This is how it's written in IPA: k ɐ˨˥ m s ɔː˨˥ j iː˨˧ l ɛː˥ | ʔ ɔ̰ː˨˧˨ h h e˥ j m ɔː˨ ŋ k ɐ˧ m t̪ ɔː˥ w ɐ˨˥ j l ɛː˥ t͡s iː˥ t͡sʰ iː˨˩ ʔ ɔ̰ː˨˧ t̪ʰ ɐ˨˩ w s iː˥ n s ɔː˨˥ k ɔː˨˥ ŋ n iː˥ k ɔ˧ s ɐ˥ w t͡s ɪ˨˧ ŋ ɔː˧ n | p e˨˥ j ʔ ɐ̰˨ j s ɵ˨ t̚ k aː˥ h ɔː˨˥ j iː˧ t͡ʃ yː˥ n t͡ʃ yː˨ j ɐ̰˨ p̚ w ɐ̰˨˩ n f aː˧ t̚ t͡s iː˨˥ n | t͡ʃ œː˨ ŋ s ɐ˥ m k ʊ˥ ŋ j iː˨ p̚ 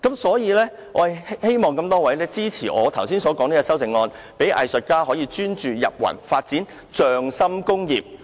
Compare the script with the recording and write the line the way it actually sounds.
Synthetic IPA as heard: k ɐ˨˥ m s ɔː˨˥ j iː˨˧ l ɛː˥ | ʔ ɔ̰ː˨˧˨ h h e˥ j m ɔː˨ ŋ k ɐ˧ m t̪ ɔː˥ w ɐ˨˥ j l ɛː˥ t͡s iː˥ t͡sʰ iː˨˩ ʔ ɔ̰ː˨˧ t̪ʰ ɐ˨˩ w s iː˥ n s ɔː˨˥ k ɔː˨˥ ŋ n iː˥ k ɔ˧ s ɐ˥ w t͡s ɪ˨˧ ŋ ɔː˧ n | p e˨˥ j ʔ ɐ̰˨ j s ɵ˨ t̚ k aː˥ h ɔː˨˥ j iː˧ t͡ʃ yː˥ n t͡ʃ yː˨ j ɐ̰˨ p̚ w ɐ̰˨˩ n f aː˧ t̚ t͡s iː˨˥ n | t͡ʃ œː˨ ŋ s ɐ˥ m k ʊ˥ ŋ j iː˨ p̚